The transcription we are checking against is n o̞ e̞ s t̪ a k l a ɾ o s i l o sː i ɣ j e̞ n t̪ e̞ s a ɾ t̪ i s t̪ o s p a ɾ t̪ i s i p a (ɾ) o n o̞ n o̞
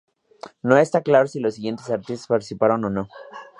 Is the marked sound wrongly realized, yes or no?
no